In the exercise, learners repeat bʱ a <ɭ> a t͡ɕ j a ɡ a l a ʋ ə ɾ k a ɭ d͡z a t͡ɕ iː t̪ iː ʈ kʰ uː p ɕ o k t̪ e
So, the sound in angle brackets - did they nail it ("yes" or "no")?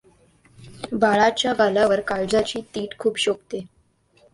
yes